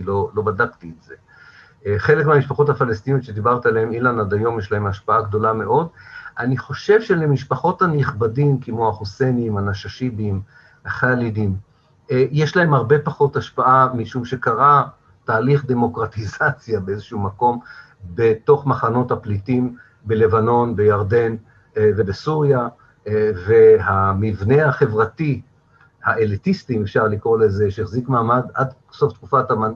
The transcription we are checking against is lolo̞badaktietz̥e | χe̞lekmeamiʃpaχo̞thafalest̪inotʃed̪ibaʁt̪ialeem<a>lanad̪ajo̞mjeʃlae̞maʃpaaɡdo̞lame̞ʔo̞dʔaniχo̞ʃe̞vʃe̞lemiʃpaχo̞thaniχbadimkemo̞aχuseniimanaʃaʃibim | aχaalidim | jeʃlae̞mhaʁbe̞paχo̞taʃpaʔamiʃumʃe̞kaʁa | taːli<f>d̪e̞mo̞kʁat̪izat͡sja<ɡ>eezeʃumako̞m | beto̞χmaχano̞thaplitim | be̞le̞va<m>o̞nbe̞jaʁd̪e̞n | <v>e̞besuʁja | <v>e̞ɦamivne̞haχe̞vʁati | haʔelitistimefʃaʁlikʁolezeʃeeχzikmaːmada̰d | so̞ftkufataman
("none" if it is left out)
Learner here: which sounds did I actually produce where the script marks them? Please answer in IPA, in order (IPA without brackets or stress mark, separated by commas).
i, χ, b, n, v, v